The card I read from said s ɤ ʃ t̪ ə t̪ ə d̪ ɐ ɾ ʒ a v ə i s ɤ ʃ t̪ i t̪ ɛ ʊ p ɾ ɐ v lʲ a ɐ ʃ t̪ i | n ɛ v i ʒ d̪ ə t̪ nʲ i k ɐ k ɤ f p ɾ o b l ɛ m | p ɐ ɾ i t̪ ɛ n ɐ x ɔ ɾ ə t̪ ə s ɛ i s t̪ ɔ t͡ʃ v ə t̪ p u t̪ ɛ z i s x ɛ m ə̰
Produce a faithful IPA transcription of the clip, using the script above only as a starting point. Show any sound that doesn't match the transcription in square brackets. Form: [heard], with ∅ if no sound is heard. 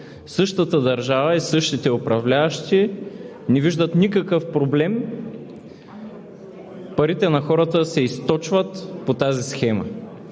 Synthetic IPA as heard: s ɤ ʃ t̪ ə t̪ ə d̪ ɐ ɾ ʒ a v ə i s ɤ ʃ t̪ i t̪ ɛ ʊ p ɾ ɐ v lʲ a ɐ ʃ t̪ i | n ɛ v i ʒ d̪ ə t̪ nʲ i k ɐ k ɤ f p ɾ o b l ɛ m | p ɐ ɾ i t̪ ɛ n ɐ x ɔ ɾ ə t̪ ə s ɛ i s t̪ ɔ t͡ʃ v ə t̪ p [o] t̪ [a] z i s x ɛ m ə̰

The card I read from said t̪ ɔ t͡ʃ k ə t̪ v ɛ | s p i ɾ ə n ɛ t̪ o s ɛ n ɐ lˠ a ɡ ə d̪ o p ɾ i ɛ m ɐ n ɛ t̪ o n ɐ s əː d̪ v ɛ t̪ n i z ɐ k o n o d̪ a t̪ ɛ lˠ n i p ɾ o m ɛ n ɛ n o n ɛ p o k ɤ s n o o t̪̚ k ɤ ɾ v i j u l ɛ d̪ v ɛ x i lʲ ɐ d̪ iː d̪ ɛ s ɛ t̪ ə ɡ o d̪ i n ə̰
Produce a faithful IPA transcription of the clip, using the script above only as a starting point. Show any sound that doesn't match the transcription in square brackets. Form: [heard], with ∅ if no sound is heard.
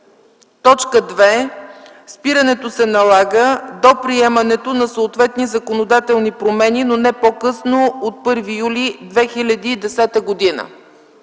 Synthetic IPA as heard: t̪ ɔ t͡ʃ k ə [d̪] v ɛ | s p i ɾ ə n ɛ t̪ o s ɛ n ɐ lˠ a ɡ ə d̪ o p ɾ i ɛ m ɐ n ɛ t̪ o n ɐ s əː [t̪] v ɛ t̪ n i z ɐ k o n o d̪ a t̪ ɛ lˠ n i p ɾ o m ɛ n [i] n o n ɛ p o k ɤ s n o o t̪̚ [p] ɤ ɾ v i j u l [i] d̪ v ɛ x i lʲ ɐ d̪ iː d̪ ɛ s ɛ t̪ ə ɡ o d̪ i n ə̰

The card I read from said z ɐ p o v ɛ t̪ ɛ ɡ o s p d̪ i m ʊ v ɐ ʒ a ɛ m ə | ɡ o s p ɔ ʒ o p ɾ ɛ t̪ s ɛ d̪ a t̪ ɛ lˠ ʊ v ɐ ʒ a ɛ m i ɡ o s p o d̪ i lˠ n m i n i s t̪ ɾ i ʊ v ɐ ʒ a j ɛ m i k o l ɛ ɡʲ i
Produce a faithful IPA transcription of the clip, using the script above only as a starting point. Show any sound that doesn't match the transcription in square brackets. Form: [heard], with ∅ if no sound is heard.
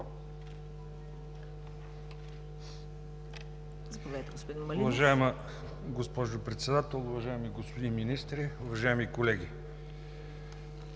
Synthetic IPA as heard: z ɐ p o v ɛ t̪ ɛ ɡ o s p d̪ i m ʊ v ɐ ʒ a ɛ m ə | ɡ o s p ɔ ʒ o p ɾ ɛ t̪ s ɛ d̪ a t̪ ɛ lˠ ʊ v ɐ ʒ a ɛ m i ɡ o s p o d̪ i [∅] n m i n i s t̪ ɾ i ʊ v ɐ ʒ a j ɛ m i k o l ɛ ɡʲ i

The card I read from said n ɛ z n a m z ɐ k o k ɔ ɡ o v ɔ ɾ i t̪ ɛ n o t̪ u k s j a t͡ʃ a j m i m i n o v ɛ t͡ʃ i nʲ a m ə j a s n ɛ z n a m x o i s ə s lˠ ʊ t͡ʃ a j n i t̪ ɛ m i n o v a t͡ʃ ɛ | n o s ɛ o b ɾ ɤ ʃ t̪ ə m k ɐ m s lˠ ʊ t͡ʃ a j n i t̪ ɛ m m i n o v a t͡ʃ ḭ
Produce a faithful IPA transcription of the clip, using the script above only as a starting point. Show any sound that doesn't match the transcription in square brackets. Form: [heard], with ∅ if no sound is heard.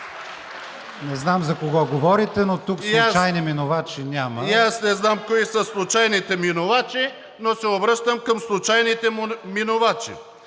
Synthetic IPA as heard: n ɛ z n a m z ɐ k o [ɡ] ɔ ɡ o v ɔ ɾ i t̪ ɛ n o t̪ u k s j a t͡ʃ a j [n] i m i n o v [a] t͡ʃ i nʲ a m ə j a s n ɛ z n a m [k] o i s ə s lˠ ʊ t͡ʃ a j n i t̪ ɛ m i n o v a t͡ʃ [i] | n o s ɛ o b ɾ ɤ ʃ t̪ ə m k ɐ m s lˠ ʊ t͡ʃ a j n i t̪ ɛ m m i n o v a t͡ʃ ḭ

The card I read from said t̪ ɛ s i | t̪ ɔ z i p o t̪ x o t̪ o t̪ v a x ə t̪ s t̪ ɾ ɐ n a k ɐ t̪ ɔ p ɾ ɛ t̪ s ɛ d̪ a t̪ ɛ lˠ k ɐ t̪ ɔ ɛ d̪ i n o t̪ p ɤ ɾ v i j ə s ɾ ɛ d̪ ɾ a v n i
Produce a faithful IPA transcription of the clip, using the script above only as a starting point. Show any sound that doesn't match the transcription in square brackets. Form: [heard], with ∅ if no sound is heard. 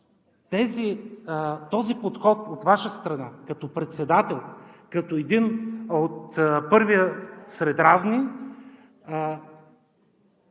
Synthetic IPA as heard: t̪ ɛ [z] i | t̪ ɔ z i p o t̪ x [ɔ] t̪ o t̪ v a [ʃ] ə [∅] s t̪ ɾ ɐ n a k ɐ t̪ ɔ p ɾ ɛ t̪ s ɛ d̪ a t̪ ɛ lˠ k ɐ t̪ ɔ ɛ d̪ i n o t̪ p ɤ ɾ v i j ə s ɾ ɛ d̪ ɾ a v n i

